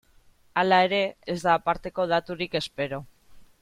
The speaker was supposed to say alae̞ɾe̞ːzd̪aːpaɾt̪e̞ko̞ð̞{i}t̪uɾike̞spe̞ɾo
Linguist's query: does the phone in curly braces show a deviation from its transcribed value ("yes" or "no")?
yes